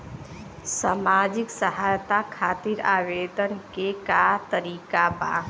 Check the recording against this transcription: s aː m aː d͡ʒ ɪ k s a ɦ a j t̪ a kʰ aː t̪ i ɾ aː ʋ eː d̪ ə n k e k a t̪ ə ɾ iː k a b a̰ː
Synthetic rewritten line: s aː m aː d͡ʒ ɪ k s ə ɦ a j t̪ a kʰ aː t̪ i ɾ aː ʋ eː d̪ ə n k e k a t̪ ə ɾ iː k a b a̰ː

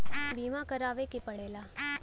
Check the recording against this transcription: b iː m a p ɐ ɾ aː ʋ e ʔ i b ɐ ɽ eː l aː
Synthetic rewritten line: b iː m a k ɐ ɾ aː ʋ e k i p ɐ ɽ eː l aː

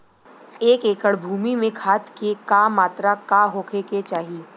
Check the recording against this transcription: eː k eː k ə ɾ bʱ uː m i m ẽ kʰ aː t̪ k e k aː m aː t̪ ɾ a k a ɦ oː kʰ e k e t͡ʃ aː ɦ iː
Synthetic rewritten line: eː k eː k ə ɽ bʱ uː m i m ẽ kʰ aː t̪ k e k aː m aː t̪ ɾ a k a ɦ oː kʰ e k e t͡ʃ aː ɦ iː

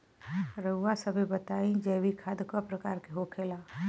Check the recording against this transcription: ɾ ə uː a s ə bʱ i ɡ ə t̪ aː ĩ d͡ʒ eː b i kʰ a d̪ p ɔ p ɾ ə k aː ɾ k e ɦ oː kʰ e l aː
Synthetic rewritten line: ɾ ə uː a s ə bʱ i b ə t̪ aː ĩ d͡ʒ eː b i kʰ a d̪ k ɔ p ɾ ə k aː ɾ k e ɦ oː kʰ e l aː

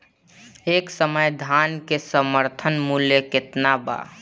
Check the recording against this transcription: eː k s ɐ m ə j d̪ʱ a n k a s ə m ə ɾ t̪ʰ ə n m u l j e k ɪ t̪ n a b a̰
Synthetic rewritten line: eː k s ə m ə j d̪ʱ a n k e s ə m ə ɾ t̪ʰ ə n m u l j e k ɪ t̪ n a b a̰

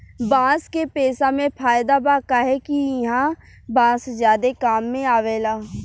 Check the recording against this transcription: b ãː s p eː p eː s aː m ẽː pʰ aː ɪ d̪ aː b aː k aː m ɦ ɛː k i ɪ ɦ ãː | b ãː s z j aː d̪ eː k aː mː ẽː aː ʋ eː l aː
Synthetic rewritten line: b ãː s k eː p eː s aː m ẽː pʰ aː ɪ d̪ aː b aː k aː ɦ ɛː k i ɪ ɦ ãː | b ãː s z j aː d̪ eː k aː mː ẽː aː ʋ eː l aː

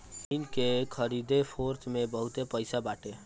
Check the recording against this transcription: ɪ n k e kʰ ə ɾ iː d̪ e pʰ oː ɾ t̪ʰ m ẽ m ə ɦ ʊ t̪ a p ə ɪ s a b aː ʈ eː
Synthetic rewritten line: ɪ n k e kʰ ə ɾ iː d̪ e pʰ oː ɾ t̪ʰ m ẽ b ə ɦ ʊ t̪ e p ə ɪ s a b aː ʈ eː

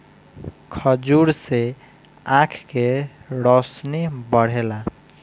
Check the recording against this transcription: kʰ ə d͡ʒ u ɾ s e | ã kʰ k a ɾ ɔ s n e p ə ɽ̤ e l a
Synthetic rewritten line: kʰ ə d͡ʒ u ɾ s e | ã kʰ k e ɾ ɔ s n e b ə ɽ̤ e l a

